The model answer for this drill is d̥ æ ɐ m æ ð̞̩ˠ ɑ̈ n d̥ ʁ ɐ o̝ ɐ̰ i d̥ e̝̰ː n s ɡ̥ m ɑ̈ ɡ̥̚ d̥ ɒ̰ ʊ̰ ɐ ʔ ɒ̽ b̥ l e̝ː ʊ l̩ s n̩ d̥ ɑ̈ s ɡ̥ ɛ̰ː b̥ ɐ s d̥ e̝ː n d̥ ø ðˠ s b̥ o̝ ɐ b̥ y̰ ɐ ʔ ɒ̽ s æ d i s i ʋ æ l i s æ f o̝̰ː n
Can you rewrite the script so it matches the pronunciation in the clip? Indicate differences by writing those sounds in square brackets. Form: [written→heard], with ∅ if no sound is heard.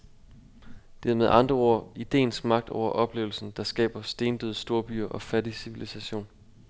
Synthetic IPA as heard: d̥ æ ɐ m [æ→e] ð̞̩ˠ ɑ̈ n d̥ ʁ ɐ o̝ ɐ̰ i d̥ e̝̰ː n s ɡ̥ m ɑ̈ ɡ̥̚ d̥ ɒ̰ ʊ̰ ɐ ʔ ɒ̽ b̥ l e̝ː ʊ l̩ s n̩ d̥ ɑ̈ s ɡ̥ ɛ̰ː b̥ ɐ s d̥ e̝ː n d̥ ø ðˠ s [b̥→d̥] o̝ ɐ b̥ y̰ ɐ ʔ ɒ̽ [s→f] æ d i s i ʋ [æ→i] l i s æ [f→ɕ] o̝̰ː n

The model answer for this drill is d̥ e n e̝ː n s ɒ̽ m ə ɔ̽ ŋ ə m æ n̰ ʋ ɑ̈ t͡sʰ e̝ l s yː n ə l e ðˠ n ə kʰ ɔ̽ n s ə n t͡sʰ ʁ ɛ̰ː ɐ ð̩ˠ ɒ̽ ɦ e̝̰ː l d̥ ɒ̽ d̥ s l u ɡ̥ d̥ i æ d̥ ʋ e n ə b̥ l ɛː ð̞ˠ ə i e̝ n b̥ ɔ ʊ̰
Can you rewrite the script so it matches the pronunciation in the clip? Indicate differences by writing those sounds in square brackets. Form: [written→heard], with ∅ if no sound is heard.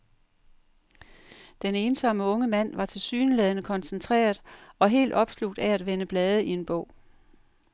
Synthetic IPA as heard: d̥ e n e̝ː n s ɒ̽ m ə ɔ̽ ŋ ə m æ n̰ ʋ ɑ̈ t͡sʰ e̝ l s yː n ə l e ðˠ n ə kʰ [ɔ̽→ɒ̽] n s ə n t͡sʰ ʁ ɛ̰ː ɐ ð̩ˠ ɒ̽ ɦ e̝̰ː l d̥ ɒ̽ [d̥→b̥] s l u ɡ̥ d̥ [i→æ] æ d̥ ʋ e n ə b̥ l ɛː ð̞ˠ ə i e̝ n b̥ ɔ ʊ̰

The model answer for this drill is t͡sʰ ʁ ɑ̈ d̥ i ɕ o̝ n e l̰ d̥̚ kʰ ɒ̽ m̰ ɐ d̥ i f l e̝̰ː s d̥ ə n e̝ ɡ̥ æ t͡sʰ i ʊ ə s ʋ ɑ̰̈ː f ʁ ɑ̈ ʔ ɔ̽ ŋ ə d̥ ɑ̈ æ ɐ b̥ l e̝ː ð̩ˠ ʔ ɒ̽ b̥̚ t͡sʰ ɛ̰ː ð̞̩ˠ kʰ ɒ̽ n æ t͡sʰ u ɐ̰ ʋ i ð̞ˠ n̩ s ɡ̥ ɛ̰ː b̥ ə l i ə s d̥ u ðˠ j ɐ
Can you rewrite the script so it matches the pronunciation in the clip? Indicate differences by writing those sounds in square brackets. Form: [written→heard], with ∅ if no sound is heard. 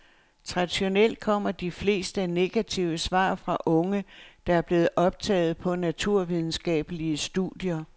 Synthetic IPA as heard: t͡sʰ ʁ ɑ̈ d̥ i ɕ o̝ n e l̰ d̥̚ kʰ ɒ̽ m̰ ɐ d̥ i f l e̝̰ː s d̥ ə n e̝ ɡ̥ æ t͡sʰ i ʊ ə s ʋ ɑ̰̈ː f ʁ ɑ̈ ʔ ɔ̽ ŋ ə d̥ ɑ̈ æ ɐ b̥ l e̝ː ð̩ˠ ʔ ɒ̽ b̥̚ t͡sʰ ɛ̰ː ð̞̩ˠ [kʰ→pʰ] ɒ̽ n æ t͡sʰ u ɐ̰ ʋ i ð̞ˠ n̩ s ɡ̥ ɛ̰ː b̥ ə l i ə s d̥ u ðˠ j ɐ

